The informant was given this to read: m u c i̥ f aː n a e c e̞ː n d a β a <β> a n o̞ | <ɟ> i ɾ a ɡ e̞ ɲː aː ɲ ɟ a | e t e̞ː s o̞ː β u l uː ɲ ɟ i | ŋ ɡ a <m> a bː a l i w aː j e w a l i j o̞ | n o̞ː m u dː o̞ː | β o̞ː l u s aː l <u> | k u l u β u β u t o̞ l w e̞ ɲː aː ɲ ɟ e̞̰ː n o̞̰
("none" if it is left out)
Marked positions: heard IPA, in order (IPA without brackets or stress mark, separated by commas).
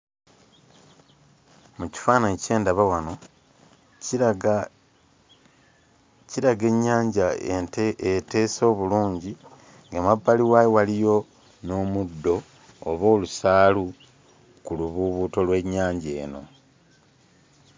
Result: w, c, m, u